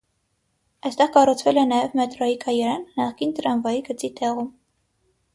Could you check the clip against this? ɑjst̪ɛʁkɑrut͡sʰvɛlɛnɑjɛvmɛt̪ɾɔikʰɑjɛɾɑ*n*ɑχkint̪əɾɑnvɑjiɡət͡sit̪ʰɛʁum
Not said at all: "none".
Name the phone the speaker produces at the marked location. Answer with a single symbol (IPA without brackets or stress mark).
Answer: nː